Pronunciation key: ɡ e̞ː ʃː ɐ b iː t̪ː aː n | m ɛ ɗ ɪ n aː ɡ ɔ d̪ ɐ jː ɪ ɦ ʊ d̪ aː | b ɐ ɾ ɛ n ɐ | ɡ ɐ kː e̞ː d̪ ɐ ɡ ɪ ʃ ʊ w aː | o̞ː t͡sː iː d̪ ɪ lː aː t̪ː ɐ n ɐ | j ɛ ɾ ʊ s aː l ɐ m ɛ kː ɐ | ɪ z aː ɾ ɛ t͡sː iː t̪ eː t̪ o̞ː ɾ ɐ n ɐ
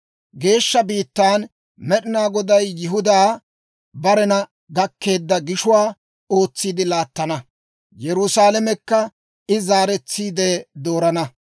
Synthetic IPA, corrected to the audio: ɡ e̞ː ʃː ɐ b iː t̪ː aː n | m ɛ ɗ ɪ n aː ɡ ɔ d̪ ɐ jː ɪ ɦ ʊ d̪ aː | b ɐ ɾ ɛ n ɐ | ɡ ɐ kː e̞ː d̪ː ɐ ɡ ɪ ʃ ʊ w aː | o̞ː t͡sː iː d̪ ɪ l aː t̪ː ɐ n ɐ | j ɛ ɾ ʊ s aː l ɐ m ɛ kː ɐ | ɪ z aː ɾ ɛ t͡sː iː d̪ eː d̪ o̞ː ɾ ɐ n ɐ